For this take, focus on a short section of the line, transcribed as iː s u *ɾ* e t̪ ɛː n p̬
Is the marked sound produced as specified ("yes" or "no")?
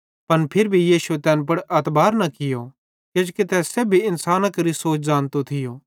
no